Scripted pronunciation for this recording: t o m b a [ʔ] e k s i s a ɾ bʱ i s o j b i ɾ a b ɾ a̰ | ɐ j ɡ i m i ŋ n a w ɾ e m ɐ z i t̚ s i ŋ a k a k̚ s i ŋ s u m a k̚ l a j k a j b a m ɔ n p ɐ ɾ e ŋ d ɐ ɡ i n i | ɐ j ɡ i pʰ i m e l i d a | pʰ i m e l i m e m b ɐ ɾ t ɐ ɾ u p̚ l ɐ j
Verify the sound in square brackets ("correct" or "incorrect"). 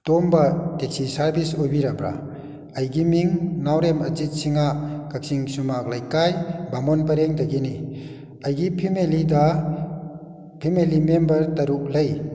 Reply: incorrect